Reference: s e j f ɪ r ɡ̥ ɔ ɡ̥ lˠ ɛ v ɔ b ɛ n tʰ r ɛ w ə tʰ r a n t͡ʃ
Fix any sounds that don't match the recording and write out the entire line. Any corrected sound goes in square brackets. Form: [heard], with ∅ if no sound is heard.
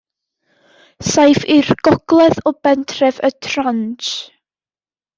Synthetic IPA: s [a] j f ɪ r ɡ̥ ɔ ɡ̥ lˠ ɛ [ð] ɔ b ɛ n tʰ r ɛ [v] ə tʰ r a n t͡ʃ